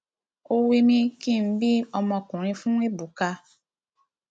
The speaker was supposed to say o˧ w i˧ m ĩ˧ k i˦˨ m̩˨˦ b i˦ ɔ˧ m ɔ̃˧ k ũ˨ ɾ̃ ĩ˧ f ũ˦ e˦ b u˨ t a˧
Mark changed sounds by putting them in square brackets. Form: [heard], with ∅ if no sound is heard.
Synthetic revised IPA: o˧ w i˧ m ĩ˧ k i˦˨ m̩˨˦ b i˦ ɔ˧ m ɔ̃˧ k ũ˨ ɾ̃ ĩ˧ f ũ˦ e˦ b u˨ [k] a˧